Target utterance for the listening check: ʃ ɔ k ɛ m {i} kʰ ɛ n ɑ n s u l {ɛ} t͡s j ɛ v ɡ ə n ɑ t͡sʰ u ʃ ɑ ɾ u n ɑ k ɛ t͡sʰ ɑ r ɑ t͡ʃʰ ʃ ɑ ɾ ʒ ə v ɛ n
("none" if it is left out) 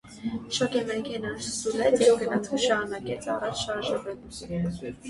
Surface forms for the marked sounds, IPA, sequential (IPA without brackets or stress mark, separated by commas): ɛ, ɛ